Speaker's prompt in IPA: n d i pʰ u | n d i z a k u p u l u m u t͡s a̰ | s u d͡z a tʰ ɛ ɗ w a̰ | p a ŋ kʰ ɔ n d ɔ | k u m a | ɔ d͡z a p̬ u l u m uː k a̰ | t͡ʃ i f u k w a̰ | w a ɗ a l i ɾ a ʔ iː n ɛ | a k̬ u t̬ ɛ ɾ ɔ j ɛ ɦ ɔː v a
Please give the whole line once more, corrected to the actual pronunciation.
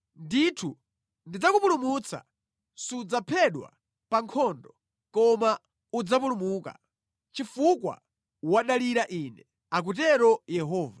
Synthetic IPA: n d i tʰ u | n d i d͡z a k u p u l u m u t͡s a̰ | s u d͡z a pʰ ɛ ɗ w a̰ | p a ŋ kʰ ɔ n d ɔ | k ɔ m a | u d͡z a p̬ u l u m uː k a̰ | t͡ʃ i f u k w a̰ | w a ɗ a l i ɾ a ʔ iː n ɛ | a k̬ u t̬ ɛ ɾ ɔ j ɛ ɦ ɔː v a